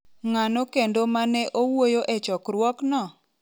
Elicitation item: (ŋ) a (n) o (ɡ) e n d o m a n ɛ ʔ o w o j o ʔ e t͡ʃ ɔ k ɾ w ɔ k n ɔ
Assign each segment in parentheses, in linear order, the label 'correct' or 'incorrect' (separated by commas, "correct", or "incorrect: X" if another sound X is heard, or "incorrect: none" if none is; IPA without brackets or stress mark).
correct, correct, incorrect: k